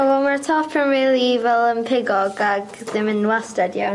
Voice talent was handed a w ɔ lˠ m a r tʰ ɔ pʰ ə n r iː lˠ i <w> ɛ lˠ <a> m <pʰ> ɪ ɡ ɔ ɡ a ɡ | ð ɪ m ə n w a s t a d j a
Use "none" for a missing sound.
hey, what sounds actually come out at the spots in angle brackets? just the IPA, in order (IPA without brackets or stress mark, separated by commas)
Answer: v, ə, pʰ